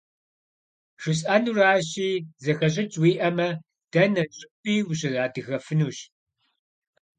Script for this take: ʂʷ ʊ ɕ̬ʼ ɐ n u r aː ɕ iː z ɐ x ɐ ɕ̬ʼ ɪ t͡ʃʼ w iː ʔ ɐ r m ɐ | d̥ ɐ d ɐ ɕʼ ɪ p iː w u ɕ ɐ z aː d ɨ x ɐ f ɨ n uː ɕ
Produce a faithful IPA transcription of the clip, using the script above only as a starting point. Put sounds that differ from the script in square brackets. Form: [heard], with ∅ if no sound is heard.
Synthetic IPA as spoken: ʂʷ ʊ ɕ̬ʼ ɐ n u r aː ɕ iː z ɐ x ɐ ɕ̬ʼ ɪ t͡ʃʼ w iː ʔ ɐ [∅] m ɐ | d̥ ɐ [n] ɐ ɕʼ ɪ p iː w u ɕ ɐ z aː d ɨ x ɐ f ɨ n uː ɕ